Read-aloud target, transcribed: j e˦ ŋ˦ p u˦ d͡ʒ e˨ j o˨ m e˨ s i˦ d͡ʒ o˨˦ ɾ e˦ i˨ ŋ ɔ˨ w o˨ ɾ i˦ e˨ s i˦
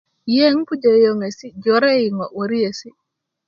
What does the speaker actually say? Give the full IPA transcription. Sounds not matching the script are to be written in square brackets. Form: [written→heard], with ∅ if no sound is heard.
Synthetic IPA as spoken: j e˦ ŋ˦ p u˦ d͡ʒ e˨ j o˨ [m→ŋ] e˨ s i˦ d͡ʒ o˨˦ ɾ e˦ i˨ ŋ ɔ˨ w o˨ ɾ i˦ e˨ s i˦